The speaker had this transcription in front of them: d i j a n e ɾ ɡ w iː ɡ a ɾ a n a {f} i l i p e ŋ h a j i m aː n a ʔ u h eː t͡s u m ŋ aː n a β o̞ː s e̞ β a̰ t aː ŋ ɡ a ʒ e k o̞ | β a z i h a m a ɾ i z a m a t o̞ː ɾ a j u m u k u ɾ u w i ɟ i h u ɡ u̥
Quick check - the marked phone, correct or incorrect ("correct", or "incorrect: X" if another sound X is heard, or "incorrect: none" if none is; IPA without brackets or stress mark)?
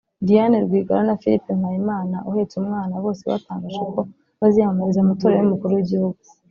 correct